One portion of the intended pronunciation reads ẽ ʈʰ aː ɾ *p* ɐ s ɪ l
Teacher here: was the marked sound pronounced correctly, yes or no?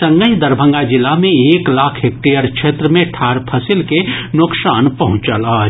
no